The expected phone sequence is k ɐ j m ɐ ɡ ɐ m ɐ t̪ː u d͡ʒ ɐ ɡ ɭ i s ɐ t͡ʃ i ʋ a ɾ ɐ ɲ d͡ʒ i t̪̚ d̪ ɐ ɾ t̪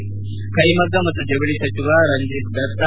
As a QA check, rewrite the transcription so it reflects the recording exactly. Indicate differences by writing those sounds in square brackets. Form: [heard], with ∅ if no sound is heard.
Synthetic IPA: k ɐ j m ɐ ɡ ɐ m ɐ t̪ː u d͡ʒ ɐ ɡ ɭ i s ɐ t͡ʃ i ʋ a ɾ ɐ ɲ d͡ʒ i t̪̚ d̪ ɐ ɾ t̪